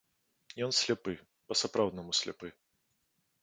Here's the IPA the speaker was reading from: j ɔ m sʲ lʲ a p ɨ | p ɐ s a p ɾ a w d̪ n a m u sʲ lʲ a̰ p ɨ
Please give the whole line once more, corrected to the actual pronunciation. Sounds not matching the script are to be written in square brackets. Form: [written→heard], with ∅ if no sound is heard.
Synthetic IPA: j ɔ [m→n] sʲ lʲ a p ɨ | p ɐ s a p ɾ a w d̪ n [a→ɐ] m u sʲ lʲ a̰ p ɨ